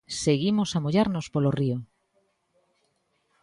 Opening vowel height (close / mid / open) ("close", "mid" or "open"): mid